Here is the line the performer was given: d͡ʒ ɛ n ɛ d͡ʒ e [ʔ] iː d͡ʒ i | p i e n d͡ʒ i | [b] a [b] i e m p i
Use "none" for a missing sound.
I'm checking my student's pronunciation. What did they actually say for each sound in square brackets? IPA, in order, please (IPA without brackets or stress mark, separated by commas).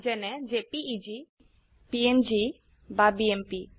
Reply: p, b, b